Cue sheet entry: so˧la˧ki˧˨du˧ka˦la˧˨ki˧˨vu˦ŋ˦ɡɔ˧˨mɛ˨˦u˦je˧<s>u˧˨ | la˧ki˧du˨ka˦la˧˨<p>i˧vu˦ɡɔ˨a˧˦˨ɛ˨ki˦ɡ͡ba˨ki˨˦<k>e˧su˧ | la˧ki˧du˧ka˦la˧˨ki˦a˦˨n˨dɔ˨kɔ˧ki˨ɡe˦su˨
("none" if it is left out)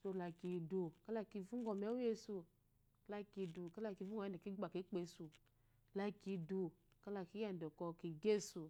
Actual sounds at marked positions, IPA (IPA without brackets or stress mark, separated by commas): s, k, k͡p